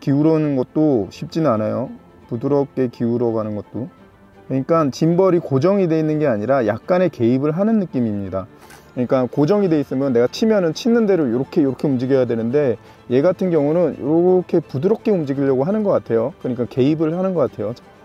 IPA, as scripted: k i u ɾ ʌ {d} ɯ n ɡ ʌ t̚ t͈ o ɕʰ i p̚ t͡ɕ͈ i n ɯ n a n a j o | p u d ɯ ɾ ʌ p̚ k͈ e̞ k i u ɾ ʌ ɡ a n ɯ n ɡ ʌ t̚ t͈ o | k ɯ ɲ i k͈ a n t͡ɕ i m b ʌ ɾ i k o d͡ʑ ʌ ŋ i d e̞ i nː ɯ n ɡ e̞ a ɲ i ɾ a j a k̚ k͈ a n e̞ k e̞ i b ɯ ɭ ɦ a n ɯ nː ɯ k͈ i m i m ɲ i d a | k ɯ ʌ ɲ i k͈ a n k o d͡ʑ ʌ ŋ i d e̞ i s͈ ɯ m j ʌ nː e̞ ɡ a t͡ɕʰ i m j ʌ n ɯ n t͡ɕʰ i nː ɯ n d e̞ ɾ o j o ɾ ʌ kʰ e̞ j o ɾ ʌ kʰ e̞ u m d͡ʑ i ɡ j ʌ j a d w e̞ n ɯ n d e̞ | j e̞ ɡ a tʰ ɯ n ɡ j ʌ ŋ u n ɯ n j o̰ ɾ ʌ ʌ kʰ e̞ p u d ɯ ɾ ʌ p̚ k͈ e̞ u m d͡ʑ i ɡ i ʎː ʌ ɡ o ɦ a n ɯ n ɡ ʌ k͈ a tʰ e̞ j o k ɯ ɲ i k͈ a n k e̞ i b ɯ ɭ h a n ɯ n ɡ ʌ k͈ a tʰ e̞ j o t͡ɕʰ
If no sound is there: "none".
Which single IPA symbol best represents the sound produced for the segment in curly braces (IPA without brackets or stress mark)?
n